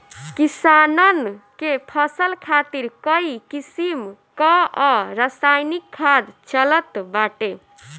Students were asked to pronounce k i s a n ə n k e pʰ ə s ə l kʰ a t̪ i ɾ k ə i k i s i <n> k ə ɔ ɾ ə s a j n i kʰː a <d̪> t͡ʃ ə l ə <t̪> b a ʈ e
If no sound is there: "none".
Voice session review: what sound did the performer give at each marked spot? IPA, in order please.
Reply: m, d̪, t̪

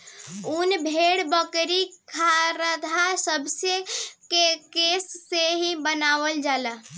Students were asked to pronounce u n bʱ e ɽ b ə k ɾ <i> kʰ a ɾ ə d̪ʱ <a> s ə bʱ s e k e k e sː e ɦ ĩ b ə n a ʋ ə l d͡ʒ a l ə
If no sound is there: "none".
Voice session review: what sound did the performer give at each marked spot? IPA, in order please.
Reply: i, a

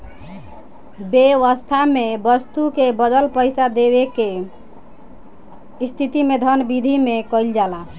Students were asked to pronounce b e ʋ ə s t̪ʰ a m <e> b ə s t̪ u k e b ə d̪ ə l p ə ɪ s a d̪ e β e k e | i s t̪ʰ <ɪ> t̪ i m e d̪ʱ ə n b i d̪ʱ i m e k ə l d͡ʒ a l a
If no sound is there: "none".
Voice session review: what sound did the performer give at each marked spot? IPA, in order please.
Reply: e, i

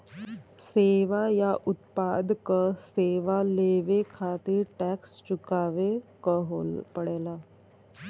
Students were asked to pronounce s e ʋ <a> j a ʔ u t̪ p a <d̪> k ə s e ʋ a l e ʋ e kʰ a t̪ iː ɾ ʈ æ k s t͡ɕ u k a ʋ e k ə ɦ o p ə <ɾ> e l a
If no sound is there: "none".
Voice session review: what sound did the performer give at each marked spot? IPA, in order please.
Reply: a, d̪, ɽ

